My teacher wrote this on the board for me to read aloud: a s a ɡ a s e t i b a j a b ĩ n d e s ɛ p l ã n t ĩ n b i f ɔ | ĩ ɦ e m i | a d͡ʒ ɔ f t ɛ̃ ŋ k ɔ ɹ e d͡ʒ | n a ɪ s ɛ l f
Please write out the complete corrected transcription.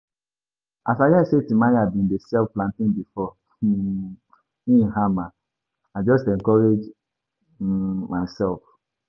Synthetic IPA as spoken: a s a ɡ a s e t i m a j a b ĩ n d e s ɛ p l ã n t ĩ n b i f ɔ | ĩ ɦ a m a | a d͡ʒ ɔ s t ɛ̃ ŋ k ɔ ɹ e d͡ʒ | m a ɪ s ɛ l f